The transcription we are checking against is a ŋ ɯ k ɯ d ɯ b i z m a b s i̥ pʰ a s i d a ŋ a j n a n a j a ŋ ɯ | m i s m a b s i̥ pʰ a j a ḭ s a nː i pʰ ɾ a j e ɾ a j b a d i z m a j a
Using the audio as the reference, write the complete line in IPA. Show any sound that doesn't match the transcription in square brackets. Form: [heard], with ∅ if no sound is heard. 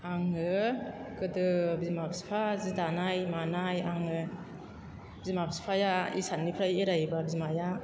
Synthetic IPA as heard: a ŋ ɯ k ɯ d ɯ b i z m a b s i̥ pʰ a [z] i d a [n] a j [m] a n a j a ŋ ɯ | [b] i [z] m a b s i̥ pʰ a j a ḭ s a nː i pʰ ɾ a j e ɾ a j b a [b] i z m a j a